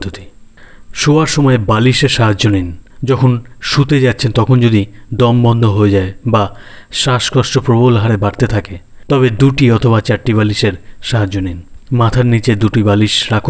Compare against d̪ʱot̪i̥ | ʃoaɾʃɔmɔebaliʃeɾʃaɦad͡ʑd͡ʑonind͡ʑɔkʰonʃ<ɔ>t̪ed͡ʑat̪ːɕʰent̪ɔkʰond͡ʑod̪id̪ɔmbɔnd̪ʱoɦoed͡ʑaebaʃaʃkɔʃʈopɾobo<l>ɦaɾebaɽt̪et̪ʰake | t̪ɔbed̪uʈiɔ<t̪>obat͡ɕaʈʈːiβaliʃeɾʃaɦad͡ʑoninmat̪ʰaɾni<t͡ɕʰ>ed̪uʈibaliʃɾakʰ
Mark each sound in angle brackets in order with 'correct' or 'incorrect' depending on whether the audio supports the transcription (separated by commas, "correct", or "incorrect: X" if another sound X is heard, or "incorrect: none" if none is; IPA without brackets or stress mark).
incorrect: u, correct, incorrect: t̪ʰ, incorrect: t͡ɕ